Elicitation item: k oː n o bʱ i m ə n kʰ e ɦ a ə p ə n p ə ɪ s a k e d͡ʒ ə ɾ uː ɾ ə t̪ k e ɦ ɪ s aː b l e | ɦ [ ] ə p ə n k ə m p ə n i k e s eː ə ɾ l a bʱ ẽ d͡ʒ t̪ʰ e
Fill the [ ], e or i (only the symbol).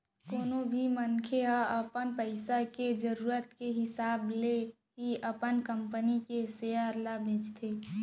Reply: i